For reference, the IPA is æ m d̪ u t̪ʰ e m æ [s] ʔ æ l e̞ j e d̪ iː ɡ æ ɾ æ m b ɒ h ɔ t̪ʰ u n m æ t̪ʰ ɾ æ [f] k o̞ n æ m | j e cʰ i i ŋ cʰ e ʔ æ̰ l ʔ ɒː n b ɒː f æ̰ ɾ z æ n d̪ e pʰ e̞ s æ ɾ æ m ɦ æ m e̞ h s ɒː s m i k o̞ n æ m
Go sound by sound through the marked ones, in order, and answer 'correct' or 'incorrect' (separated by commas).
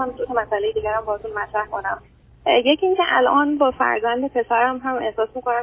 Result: correct, incorrect